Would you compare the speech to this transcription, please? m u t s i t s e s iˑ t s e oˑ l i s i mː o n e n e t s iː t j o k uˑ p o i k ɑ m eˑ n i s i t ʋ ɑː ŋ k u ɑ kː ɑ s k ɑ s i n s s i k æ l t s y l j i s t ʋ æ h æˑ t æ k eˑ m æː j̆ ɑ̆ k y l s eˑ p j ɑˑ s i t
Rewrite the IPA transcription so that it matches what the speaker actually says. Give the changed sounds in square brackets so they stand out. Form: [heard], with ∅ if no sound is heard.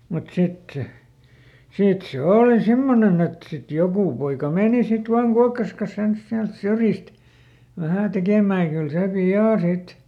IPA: m u t s i t s e s iˑ t s e oˑ l i s i mː o n e n e t s [i] t j o k uˑ p o i k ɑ m eˑ n i s i t ʋ ɑː ŋ k u ɑ kː ɑ s k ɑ s [e] n s s i [∅] æ l t s y [r] j i s t ʋ æ h æˑ t [e] k eˑ m æː j̆ ɑ̆ k y l s eˑ p [i] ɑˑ s i t